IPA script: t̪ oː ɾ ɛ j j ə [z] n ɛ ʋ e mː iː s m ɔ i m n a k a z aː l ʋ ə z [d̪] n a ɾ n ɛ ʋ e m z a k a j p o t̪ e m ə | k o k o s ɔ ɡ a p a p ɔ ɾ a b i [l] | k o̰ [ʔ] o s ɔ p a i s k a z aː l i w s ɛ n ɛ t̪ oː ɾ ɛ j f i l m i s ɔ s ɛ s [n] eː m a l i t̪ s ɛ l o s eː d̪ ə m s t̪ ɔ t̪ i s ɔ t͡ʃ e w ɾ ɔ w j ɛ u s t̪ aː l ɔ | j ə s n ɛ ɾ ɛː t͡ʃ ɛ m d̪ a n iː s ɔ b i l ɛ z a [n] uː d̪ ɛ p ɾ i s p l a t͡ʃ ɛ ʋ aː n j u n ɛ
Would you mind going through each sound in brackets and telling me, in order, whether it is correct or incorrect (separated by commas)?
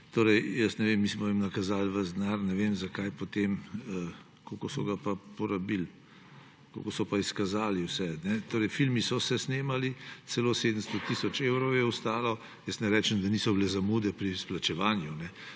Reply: incorrect, correct, correct, incorrect, correct, incorrect